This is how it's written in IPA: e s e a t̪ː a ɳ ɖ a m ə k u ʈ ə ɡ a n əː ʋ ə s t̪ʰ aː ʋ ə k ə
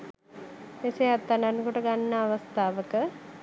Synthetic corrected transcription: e s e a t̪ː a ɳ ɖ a n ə k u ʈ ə ɡ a nː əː ʋ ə s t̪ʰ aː ʋ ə k ə